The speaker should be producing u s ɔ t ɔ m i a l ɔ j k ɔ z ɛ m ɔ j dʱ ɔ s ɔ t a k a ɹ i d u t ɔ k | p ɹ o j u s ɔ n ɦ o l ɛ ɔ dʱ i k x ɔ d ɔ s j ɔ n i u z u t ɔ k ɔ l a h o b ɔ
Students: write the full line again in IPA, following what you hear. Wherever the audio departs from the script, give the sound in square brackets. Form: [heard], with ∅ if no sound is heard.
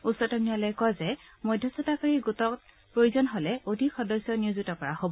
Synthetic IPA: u s ɔ t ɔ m i a l ɔ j k ɔ z ɛ m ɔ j dʱ ɔ s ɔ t a k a ɹ i [ɡ] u t ɔ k | p ɹ o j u [z] ɔ n ɦ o l ɛ [o] dʱ i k x ɔ d ɔ s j ɔ n i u z u t ɔ k ɔ [ɹ] a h o b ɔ